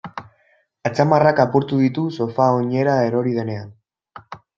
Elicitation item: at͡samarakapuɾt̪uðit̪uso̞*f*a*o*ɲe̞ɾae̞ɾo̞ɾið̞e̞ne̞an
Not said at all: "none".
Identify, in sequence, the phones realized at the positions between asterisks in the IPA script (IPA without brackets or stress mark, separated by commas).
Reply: f, o